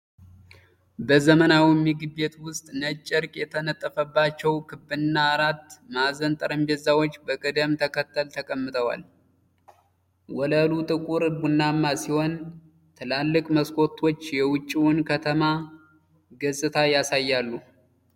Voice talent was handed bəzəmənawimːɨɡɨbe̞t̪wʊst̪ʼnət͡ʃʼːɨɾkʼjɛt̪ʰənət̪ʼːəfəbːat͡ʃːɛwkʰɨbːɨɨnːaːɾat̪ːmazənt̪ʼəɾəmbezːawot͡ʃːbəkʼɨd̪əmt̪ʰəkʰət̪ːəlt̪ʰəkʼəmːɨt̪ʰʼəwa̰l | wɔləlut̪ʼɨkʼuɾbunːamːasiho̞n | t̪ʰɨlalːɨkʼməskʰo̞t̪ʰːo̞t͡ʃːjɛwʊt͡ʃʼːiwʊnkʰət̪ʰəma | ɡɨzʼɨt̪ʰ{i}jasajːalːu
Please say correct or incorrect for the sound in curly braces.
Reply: incorrect